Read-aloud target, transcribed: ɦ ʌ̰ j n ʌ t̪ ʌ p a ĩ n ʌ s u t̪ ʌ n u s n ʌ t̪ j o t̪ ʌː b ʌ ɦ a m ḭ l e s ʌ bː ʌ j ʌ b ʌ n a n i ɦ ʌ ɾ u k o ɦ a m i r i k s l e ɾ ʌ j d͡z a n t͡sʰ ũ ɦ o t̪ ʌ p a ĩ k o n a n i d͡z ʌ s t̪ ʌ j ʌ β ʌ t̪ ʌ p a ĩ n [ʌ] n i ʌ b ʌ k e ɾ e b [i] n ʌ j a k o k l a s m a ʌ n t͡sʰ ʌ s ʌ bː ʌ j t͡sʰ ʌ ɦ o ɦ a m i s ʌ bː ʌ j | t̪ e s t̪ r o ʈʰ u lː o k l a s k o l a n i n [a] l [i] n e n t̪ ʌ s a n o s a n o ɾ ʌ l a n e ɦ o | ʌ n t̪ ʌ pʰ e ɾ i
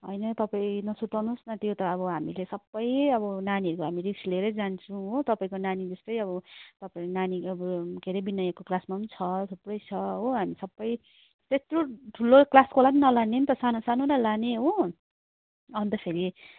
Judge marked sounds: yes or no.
no, yes, no, no

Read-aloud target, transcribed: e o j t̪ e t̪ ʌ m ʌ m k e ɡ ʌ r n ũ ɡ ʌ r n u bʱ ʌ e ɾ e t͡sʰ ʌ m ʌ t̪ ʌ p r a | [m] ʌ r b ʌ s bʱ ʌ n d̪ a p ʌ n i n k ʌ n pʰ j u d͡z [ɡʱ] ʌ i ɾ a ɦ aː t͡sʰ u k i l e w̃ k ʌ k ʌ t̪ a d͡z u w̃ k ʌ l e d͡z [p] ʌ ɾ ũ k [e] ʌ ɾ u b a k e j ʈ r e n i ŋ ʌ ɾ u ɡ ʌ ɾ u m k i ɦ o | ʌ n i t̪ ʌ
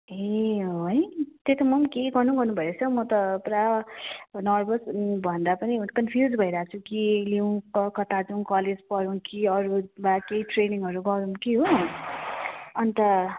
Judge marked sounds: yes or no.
no, no, yes, no

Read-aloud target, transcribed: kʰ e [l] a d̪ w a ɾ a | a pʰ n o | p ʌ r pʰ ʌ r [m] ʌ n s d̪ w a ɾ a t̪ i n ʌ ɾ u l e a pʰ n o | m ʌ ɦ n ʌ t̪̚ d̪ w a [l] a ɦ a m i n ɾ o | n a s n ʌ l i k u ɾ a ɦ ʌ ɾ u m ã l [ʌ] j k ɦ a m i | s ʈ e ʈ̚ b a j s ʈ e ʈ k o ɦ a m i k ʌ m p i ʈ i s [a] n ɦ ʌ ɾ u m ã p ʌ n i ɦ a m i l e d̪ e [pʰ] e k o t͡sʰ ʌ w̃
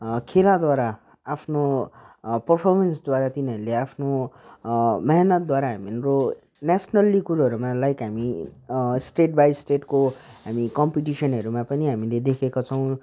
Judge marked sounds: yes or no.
yes, yes, no, no, no, no

